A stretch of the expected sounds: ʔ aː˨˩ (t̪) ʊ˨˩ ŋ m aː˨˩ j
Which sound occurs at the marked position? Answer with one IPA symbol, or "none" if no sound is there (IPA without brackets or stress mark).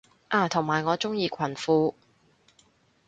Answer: t̪ʰ